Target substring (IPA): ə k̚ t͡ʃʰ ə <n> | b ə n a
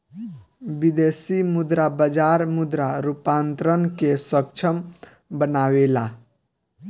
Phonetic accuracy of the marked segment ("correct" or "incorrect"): incorrect